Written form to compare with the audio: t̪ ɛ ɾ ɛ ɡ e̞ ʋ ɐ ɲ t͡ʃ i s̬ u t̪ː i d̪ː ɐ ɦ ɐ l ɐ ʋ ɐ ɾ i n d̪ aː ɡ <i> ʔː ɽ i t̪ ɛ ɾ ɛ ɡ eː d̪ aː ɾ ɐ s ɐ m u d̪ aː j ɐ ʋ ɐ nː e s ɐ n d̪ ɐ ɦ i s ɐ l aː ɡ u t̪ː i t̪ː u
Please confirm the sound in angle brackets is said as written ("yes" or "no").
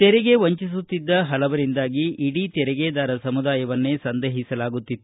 yes